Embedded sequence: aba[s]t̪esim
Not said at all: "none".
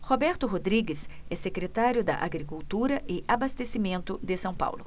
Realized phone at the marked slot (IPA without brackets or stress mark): s